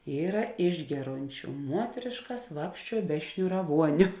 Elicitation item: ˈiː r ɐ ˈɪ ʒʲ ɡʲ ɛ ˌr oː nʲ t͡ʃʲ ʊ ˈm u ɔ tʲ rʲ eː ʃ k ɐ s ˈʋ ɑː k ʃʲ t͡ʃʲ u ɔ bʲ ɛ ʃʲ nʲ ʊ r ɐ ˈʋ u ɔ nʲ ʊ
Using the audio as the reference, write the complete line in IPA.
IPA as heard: ˈiː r ɐ ˈɪ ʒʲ ɡʲ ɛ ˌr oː nʲ t͡ʃʲ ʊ ˈm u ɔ tʲ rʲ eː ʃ k ɐ s ˈʋ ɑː k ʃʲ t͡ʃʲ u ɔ bʲ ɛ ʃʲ nʲ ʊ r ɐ ˈʋ u ɔ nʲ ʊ